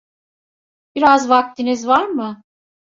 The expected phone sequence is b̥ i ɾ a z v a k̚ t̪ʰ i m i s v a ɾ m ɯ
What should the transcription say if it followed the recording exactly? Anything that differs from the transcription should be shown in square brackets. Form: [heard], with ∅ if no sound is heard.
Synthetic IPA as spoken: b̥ i ɾ a z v a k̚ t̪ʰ i [n] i [z] v a ɾ m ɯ